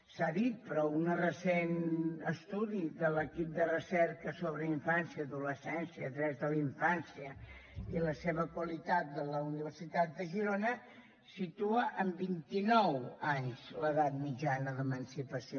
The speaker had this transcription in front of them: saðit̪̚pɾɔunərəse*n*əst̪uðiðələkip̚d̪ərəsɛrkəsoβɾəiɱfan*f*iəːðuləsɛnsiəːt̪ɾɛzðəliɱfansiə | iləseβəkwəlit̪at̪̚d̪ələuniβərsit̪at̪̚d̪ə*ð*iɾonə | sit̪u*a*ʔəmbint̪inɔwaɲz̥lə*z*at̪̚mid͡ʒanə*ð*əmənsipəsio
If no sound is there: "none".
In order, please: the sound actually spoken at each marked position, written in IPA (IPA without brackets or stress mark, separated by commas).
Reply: n, s, ʒ, ə, ð, ð